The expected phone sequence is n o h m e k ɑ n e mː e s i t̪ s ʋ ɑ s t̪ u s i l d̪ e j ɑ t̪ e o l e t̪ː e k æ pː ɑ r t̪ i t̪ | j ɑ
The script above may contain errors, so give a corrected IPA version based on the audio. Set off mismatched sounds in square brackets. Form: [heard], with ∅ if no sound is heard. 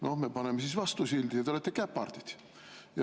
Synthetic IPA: n o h m e [p] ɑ n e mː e s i [∅] s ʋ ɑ s t̪ u s i l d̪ [i] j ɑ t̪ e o l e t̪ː e k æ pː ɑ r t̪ i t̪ | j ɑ